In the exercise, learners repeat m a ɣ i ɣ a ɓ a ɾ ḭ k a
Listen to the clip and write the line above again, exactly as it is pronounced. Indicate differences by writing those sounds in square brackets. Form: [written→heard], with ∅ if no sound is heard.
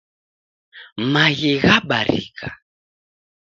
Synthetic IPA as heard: m a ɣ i ɣ a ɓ a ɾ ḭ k a